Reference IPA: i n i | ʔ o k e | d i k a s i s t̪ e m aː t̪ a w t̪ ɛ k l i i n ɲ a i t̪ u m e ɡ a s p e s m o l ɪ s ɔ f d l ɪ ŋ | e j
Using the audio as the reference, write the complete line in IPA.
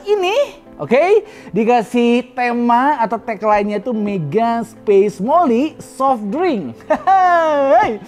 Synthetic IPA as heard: i n i | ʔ o k e | d i k a s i h t̪ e m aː t̪ a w t̪ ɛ k l a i n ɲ a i t̪ u m e ɡ a s p e s m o l i s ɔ f d ɾ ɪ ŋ | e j